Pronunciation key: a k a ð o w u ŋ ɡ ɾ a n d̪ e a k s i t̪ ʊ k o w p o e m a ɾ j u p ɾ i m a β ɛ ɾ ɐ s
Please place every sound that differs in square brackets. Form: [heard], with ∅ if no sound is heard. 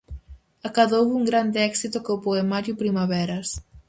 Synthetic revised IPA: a k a ð o w u ŋ ɡ ɾ a n d̪ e [ɛ] k s i t̪ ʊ k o w p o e m a ɾ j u p ɾ i m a β ɛ ɾ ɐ s